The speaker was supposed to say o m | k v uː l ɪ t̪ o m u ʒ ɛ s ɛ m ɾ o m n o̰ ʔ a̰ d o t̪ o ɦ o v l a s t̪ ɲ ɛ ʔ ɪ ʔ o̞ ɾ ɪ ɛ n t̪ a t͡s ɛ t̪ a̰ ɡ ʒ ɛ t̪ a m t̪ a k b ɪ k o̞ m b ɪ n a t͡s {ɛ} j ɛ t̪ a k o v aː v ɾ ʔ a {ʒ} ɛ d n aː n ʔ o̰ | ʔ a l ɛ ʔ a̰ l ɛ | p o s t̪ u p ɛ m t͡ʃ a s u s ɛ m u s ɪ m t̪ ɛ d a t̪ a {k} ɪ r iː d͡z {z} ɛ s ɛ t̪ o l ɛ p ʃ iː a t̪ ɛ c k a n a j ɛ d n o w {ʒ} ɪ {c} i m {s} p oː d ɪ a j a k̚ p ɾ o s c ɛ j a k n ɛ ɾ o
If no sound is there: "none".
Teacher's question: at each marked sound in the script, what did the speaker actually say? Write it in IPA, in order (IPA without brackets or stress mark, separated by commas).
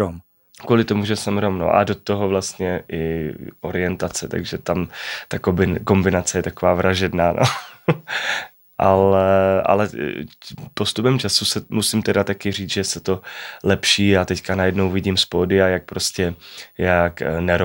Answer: ɛ, ʒ, k, ʒ, v, ɟ, s